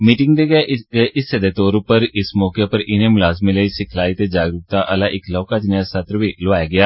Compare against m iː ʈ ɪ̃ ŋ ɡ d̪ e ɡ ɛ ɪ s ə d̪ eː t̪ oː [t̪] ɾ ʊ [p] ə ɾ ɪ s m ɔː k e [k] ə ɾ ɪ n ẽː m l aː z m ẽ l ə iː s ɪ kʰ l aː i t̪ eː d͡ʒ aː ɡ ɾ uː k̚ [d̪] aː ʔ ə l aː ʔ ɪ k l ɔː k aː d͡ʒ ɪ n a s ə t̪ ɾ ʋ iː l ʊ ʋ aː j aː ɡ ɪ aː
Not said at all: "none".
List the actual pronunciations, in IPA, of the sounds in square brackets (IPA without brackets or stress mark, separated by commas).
none, p, p, t̪